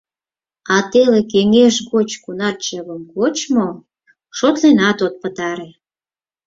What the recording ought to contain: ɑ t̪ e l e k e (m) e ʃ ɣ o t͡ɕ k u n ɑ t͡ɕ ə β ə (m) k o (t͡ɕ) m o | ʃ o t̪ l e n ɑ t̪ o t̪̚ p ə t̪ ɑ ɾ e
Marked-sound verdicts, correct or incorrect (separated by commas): incorrect, correct, correct